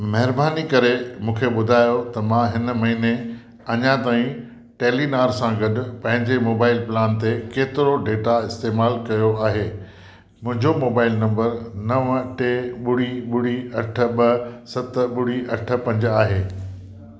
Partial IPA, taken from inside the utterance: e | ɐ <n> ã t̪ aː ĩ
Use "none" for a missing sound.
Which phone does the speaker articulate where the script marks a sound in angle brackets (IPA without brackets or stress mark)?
ɲ